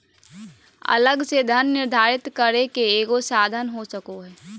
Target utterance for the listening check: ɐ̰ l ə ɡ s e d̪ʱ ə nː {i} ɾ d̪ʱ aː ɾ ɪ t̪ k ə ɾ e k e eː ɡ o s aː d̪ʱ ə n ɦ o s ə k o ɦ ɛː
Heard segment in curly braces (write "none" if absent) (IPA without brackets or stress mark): ɪ